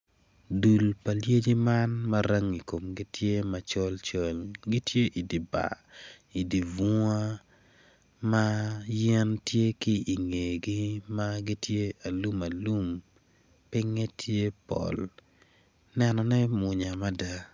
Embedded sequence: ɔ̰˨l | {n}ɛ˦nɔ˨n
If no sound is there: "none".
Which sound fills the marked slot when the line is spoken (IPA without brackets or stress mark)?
n